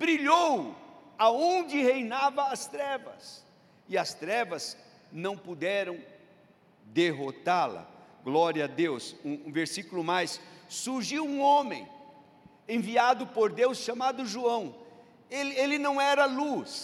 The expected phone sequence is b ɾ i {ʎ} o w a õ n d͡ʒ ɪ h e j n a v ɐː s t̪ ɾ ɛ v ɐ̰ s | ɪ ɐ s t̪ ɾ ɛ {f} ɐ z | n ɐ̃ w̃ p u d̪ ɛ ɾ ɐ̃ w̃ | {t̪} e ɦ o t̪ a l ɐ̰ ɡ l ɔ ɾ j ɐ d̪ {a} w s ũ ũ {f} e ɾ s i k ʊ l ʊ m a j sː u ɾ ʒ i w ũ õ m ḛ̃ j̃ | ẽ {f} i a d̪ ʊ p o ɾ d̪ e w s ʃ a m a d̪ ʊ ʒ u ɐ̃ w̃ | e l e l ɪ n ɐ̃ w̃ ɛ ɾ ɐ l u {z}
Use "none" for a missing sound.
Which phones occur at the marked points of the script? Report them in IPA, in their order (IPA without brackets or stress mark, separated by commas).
ʎ, v, d̪, e, v, v, s